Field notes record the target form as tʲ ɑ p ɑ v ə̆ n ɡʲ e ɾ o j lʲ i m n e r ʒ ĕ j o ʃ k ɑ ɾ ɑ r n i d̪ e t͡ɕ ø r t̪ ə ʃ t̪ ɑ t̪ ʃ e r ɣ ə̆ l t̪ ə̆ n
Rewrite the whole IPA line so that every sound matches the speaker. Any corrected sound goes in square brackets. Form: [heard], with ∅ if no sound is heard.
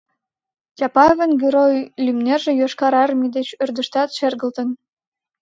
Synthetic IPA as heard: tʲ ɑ p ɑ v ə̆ n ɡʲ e ɾ o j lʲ [y] m n e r ʒ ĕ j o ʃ k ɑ ɾ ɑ r [m] i d̪ e t͡ɕ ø r [d̪] ə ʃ t̪ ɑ t̪ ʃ e r ɣ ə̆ l t̪ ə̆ n